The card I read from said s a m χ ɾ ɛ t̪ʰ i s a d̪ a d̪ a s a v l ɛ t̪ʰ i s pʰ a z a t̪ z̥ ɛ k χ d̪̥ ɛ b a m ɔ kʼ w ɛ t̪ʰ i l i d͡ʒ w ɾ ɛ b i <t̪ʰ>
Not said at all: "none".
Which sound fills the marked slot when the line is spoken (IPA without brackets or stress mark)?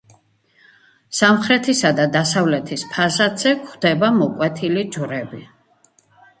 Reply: none